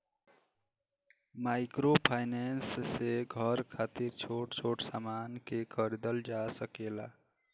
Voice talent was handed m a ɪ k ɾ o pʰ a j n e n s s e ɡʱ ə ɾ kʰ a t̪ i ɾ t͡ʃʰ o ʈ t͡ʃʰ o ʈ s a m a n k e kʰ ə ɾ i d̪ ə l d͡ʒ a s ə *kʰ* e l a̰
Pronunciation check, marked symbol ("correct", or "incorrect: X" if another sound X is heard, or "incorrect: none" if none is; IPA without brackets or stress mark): incorrect: k